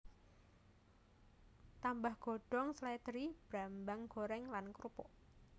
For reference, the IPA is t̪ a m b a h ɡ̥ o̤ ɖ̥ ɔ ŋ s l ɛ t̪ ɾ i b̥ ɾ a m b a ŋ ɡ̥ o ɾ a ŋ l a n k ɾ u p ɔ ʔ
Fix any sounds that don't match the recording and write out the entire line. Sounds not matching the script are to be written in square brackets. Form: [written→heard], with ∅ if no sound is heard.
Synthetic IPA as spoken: t̪ a m b a h ɡ̥ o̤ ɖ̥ ɔ ŋ s l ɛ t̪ ɾ i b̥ ɾ a m b a ŋ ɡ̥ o ɾ [a→ɛ] ŋ l a n k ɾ u p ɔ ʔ